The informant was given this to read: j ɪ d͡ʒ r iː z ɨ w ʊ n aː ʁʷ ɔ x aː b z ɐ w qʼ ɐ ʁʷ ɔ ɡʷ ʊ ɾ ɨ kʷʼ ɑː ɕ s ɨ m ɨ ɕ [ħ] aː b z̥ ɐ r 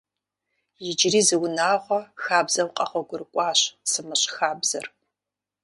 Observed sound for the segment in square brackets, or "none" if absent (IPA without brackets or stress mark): x